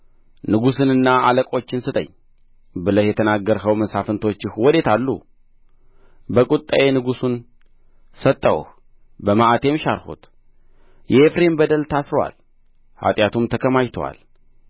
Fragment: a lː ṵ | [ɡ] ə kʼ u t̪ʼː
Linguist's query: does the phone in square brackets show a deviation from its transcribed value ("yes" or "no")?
yes